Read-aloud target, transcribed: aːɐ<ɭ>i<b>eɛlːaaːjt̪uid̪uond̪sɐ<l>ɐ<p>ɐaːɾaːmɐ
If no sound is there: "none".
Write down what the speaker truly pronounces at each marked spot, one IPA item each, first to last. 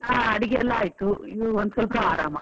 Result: ɽ, ɡ, l, p

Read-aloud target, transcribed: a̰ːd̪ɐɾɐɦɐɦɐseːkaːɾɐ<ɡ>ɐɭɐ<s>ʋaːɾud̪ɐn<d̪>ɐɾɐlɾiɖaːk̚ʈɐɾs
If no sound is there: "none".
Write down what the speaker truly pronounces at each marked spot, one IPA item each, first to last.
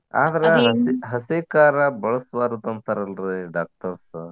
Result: b, s, t̪

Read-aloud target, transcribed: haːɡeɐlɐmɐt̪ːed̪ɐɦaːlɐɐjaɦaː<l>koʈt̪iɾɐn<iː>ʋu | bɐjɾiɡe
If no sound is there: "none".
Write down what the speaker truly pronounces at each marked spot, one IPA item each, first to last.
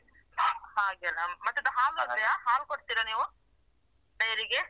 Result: l, iː

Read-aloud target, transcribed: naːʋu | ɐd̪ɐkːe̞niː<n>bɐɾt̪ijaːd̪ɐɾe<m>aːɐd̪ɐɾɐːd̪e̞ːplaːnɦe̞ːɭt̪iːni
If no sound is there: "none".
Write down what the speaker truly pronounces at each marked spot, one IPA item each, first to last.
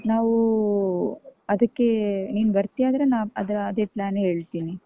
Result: n, n

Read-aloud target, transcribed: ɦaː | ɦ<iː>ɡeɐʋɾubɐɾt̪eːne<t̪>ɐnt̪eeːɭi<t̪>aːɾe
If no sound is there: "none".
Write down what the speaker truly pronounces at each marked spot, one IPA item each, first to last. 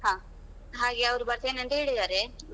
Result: aː, none, d̪

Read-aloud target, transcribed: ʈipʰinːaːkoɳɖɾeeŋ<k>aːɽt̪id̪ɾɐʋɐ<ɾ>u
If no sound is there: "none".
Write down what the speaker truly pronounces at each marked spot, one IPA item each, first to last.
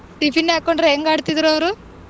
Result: ɡ, ɾ

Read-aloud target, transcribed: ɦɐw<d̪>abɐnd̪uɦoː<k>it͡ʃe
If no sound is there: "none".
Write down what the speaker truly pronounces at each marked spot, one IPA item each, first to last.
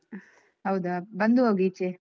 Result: d̪, ɡ

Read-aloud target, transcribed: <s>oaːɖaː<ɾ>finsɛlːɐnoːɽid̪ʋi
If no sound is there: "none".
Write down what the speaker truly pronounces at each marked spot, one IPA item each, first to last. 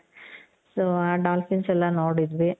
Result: s, l

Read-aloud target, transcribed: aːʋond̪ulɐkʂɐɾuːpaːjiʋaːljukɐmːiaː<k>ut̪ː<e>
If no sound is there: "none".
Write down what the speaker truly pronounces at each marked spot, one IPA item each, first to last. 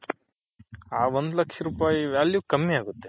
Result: ɡ, e

